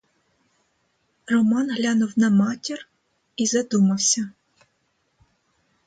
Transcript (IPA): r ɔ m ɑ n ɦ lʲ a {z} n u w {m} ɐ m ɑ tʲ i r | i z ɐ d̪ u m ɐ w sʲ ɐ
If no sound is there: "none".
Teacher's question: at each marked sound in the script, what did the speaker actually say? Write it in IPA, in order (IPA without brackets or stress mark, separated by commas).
none, n